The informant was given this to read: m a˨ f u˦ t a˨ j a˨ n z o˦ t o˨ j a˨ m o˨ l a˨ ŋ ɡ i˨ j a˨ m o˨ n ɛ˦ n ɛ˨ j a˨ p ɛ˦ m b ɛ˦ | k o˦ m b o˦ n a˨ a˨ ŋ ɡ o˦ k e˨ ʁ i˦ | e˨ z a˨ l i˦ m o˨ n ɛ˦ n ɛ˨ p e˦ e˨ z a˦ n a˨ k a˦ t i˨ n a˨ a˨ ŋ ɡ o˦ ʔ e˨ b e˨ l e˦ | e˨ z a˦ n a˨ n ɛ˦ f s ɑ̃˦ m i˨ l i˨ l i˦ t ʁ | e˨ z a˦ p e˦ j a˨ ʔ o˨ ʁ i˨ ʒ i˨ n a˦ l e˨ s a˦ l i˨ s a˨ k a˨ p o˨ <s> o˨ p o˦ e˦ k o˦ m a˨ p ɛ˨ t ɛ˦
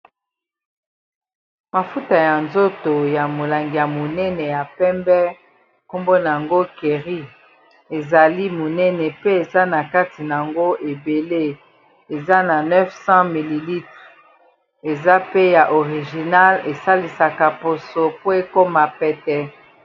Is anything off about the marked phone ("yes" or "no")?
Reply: no